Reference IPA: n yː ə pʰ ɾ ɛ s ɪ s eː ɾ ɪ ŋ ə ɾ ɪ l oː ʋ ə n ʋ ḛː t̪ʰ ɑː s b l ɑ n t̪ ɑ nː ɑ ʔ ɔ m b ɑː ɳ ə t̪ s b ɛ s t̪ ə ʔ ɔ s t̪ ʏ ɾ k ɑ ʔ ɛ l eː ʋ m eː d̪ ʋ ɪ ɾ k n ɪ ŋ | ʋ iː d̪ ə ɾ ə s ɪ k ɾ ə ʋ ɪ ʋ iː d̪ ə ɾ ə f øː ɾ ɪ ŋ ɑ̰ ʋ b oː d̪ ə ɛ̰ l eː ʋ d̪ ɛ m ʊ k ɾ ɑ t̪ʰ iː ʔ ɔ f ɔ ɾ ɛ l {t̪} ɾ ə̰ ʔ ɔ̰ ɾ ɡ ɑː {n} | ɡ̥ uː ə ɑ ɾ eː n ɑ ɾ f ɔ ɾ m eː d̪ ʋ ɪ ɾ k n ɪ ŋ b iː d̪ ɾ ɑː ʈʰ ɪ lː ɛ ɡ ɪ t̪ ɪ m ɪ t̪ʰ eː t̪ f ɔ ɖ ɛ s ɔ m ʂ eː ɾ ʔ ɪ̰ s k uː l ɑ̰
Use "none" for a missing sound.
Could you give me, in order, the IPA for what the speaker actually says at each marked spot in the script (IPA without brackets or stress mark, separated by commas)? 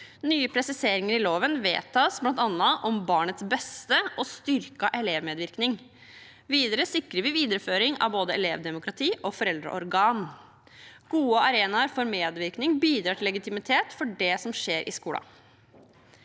d̪, n